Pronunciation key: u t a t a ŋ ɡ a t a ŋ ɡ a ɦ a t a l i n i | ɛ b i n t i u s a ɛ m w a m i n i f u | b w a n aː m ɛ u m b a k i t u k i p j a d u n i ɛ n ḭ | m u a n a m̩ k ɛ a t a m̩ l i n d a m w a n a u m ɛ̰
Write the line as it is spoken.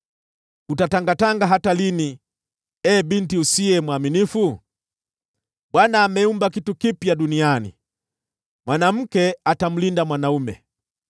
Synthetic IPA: u t a t a ŋ ɡ a t a ŋ ɡ a ɦ a t a l i n i | ɛ b i n t i u s i ɛ m w a m i n i f u | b w a n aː m ɛ u m b a k i t u k i p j a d u n i a n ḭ | m w a n a m̩ k ɛ a t a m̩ l i n d a m w a n a u m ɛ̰